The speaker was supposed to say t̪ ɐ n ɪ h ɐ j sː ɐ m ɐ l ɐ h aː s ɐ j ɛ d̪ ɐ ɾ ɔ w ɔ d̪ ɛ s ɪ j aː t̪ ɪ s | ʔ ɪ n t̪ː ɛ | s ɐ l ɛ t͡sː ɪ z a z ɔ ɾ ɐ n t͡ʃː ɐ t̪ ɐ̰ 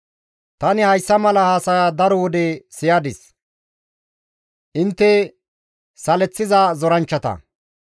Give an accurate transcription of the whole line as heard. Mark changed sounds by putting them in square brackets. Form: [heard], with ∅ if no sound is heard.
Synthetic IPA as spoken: t̪ ɐ n ɪ h ɐ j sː ɐ m ɐ l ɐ h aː s ɐ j [a] d̪ ɐ ɾ ɔ w ɔ d̪ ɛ s ɪ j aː [d̪] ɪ s | ʔ ɪ n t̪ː ɛ | s ɐ l ɛ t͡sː ɪ z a z ɔ ɾ ɐ n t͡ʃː ɐ t̪ ɐ̰

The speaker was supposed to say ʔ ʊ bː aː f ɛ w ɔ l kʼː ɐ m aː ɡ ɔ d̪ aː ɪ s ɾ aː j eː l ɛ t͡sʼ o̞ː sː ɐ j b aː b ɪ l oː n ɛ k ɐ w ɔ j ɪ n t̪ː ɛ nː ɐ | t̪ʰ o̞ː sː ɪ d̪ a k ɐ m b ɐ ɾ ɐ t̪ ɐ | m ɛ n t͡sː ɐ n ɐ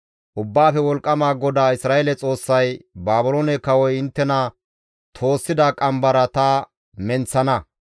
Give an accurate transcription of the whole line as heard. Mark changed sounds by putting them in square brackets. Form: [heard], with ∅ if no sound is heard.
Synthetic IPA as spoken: ʔ ʊ bː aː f ɛ w ɔ l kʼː ɐ m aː ɡ ɔ d̪ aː ɪ s ɾ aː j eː l ɛ t͡sʼ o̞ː sː ɐ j b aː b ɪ l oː n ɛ k ɐ w ɔ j ɪ n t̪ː ɛ [n] ɐ | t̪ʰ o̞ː sː ɪ d̪ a [kʼ] ɐ m b ɐ ɾ ɐ t̪ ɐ | m ɛ n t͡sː ɐ n ɐ

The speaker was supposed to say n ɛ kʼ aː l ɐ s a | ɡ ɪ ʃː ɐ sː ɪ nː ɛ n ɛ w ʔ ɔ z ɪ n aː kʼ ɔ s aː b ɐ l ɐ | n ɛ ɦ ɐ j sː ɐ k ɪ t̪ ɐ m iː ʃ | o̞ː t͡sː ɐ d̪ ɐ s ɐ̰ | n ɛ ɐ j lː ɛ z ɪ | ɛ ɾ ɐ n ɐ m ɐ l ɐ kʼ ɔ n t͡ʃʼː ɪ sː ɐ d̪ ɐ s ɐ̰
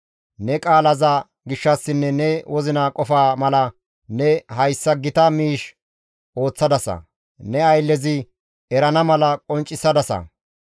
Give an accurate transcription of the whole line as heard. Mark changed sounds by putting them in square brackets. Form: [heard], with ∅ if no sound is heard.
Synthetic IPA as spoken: n ɛ kʼ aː l ɐ [z] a | ɡ ɪ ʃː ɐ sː ɪ nː ɛ n ɛ w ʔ ɔ z ɪ n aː kʼ ɔ [f] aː [m] ɐ l ɐ | n ɛ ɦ ɐ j sː ɐ [ɡ] ɪ t̪ ɐ m iː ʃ | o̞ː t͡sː ɐ d̪ ɐ s ɐ̰ | n ɛ ɐ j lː ɛ z ɪ | ɛ ɾ ɐ n ɐ m ɐ l ɐ kʼ ɔ n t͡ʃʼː ɪ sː ɐ d̪ ɐ s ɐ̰

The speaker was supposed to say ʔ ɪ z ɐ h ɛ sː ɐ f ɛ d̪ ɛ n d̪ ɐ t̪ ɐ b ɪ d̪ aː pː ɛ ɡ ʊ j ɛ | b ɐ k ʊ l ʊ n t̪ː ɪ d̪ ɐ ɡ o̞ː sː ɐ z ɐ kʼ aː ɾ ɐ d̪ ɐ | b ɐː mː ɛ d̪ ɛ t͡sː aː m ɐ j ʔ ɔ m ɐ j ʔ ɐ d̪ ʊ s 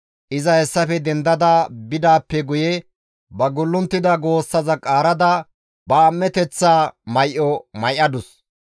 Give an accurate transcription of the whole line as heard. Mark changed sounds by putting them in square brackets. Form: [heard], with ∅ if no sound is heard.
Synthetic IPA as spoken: ʔ ɪ z ɐ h ɛ sː ɐ f ɛ d̪ ɛ n d̪ ɐ [d̪] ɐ b ɪ d̪ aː pː ɛ ɡ ʊ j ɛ | b ɐ [ɡ] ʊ [lː] ʊ n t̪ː ɪ d̪ ɐ ɡ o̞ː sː ɐ z ɐ kʼ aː ɾ ɐ d̪ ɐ | b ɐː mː ɛ [t̪] ɛ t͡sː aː m ɐ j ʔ ɔ m ɐ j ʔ ɐ d̪ ʊ s

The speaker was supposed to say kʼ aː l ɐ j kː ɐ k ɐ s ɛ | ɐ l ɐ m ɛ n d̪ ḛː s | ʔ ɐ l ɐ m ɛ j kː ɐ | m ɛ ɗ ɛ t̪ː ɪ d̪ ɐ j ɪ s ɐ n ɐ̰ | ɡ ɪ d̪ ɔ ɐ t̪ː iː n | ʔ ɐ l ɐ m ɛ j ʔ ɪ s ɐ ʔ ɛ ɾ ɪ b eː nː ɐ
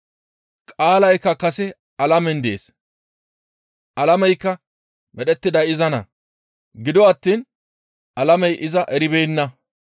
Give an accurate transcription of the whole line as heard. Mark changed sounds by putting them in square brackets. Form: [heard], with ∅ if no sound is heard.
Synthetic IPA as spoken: kʼ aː l ɐ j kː ɐ k ɐ s ɛ | ɐ l ɐ m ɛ n d̪ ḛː s | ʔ ɐ l ɐ m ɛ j kː ɐ | m ɛ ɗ ɛ t̪ː ɪ d̪ ɐ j ɪ [z] ɐ n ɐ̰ | ɡ ɪ d̪ ɔ ɐ t̪ː iː n | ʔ ɐ l ɐ m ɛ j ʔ ɪ [z] ɐ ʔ ɛ ɾ ɪ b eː nː ɐ

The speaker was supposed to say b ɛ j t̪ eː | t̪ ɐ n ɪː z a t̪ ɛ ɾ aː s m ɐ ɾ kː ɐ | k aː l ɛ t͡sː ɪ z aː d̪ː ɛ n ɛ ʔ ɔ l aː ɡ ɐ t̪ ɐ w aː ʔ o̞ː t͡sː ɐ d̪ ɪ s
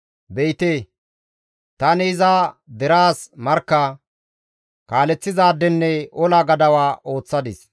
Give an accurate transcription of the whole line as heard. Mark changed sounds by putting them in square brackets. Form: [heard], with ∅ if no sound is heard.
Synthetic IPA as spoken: b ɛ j t̪ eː | t̪ ɐ n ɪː z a [d̪] ɛ ɾ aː s m ɐ ɾ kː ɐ | k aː l ɛ t͡sː ɪ z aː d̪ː ɛ [nː] ɛ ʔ ɔ l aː ɡ ɐ [d̪] ɐ w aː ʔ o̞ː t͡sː ɐ d̪ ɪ s

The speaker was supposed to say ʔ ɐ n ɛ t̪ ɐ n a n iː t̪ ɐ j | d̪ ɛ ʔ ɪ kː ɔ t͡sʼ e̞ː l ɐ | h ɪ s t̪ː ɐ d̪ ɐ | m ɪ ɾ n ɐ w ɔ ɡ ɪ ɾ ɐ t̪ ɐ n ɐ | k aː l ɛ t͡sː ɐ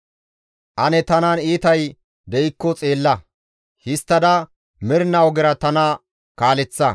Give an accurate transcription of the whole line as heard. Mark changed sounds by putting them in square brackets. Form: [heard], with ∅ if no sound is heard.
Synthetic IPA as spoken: ʔ ɐ n ɛ t̪ ɐ n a n iː t̪ ɐ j | d̪ ɛ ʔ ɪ kː ɔ t͡sʼ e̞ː [lː] ɐ | h ɪ s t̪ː ɐ d̪ ɐ | m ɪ ɾ n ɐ w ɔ ɡ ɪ ɾ ɐ t̪ ɐ n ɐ | k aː l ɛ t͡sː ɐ

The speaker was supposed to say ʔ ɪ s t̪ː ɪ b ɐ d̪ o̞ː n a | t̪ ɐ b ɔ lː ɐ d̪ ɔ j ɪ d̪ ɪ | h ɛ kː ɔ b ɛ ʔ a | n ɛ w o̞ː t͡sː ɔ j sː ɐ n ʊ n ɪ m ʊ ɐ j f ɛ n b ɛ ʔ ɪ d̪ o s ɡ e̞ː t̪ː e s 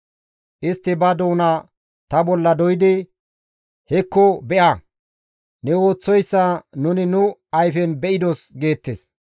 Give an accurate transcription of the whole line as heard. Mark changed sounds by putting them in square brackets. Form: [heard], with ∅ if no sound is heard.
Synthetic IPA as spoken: ʔ ɪ s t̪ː ɪ b ɐ d̪ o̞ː n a | t̪ ɐ b ɔ lː ɐ d̪ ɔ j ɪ d̪ ɪ | h ɛ kː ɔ b ɛ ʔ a | n ɛ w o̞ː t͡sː ɔ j sː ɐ n ʊ n ɪ [n] ʊ ɐ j f ɛ n b ɛ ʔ ɪ d̪ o s ɡ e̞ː t̪ː e s

